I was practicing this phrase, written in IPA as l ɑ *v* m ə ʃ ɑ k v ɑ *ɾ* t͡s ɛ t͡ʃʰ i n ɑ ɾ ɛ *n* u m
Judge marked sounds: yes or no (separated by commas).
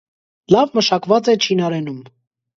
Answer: yes, no, yes